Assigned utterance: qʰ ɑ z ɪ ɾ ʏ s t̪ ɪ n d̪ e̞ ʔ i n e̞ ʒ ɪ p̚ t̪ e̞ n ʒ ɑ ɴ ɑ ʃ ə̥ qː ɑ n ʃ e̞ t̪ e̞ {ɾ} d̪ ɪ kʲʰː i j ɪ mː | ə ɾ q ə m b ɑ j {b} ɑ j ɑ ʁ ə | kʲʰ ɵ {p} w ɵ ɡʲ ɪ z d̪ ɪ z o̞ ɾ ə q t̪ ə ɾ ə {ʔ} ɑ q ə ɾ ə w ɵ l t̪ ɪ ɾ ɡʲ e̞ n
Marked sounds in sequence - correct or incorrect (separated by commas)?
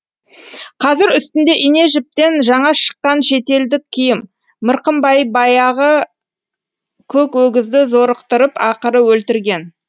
incorrect, correct, incorrect, incorrect